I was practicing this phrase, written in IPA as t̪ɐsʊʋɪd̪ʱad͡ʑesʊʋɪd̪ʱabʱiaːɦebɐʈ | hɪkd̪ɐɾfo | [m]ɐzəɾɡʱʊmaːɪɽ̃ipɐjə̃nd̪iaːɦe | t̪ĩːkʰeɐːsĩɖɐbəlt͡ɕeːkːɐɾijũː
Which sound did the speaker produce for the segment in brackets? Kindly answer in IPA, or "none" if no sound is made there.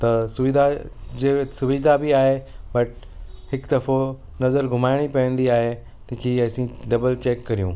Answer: n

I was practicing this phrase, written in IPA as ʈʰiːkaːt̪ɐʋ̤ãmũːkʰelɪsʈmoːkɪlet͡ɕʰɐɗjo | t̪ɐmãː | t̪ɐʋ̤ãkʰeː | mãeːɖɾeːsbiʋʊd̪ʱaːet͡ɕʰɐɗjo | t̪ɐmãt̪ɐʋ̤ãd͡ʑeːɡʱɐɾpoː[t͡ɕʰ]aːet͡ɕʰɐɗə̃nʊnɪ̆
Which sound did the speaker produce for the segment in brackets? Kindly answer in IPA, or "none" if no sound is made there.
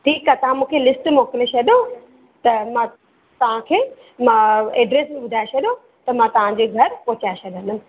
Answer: t͡ɕ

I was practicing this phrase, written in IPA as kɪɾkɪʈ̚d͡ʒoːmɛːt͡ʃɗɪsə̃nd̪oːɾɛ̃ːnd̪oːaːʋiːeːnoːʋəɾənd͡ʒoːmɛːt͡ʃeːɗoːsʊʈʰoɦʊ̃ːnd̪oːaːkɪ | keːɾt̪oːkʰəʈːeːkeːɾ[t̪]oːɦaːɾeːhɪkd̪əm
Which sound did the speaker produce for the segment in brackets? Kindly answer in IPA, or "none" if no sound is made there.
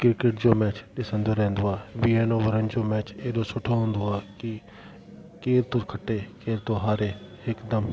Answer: t̪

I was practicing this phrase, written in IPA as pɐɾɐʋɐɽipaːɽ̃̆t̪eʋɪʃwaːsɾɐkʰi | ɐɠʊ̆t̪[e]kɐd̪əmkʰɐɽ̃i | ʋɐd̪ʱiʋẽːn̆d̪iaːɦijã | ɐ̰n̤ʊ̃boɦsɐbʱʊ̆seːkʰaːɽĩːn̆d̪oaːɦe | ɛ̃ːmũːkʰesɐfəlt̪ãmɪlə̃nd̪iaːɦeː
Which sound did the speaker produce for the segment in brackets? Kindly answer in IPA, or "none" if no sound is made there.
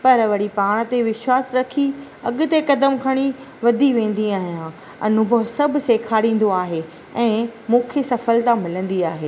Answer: e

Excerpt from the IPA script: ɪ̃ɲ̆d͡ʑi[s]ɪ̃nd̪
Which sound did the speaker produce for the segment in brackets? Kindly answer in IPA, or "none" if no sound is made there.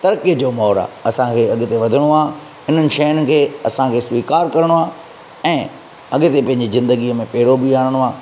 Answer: z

